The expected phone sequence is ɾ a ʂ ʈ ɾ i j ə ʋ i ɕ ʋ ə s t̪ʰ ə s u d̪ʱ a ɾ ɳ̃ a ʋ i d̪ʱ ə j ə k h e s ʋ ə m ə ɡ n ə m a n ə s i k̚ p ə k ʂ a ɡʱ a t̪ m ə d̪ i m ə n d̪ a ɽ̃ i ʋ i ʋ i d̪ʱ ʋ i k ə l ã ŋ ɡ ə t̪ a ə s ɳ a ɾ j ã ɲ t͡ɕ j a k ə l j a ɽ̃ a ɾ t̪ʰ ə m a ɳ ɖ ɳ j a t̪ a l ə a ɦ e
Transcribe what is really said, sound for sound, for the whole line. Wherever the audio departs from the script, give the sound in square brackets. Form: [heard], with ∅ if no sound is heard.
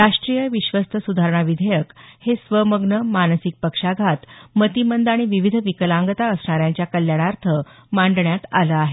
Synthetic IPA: ɾ a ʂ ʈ ɾ i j ə ʋ i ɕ ʋ ə s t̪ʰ ə s u d̪ʱ a ɾ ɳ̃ a ʋ i d̪ʱ ə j ə k h e s ʋ ə m ə ɡ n ə m a n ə s i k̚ p ə k ʂ a ɡʱ a t̪ m ə [t̪] i m ə n d̪ a ɽ̃ i ʋ i ʋ i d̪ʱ ʋ i k ə l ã ŋ ɡ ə t̪ a ə s ɳ a ɾ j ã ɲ t͡ɕ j a k ə l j a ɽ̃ a ɾ t̪ʰ ə m a ɳ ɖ ɳ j a t̪ a l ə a ɦ e